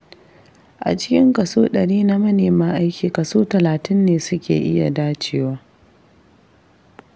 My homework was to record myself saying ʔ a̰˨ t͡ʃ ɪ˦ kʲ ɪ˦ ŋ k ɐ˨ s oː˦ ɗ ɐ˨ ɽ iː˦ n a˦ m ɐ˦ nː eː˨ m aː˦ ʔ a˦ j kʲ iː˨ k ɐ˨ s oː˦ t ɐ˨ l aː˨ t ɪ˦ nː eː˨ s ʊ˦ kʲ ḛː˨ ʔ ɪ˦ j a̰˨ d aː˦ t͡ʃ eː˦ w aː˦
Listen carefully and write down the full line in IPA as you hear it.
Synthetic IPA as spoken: ʔ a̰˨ t͡ʃ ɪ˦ kʲ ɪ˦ ŋ k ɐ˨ s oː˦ ɗ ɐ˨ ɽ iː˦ n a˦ m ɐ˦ n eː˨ m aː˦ ʔ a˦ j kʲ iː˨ k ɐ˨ s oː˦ t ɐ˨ l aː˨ t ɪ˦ nː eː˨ s ʊ˦ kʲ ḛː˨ ʔ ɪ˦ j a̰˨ d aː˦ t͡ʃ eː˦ w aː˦